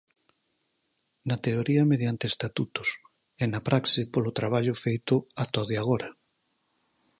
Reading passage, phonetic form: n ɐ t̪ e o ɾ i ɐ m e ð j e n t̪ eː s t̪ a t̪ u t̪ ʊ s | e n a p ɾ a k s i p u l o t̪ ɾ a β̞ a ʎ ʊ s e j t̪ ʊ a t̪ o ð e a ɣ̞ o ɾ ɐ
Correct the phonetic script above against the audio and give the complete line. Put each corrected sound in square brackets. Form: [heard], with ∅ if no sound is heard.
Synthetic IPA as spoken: n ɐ t̪ e o ɾ i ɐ m e ð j [a] n t̪ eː s t̪ a t̪ u t̪ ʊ s | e n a p ɾ a k s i p [o] l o t̪ ɾ a β̞ a ʎ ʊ [f] e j t̪ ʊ a t̪ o ð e a ɣ̞ o ɾ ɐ